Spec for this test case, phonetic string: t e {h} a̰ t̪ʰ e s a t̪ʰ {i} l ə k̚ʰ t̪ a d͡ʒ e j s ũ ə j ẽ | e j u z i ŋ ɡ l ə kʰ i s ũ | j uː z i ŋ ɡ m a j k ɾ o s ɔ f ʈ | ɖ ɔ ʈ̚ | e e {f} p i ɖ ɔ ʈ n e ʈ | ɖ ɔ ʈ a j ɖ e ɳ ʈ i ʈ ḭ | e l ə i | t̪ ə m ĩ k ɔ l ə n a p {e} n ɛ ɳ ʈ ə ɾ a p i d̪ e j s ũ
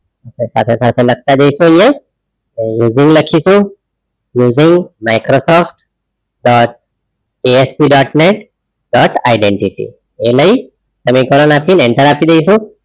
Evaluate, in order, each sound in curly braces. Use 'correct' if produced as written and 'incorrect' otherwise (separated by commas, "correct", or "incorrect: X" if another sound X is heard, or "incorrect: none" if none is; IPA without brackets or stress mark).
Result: incorrect: s, incorrect: e, incorrect: s, incorrect: i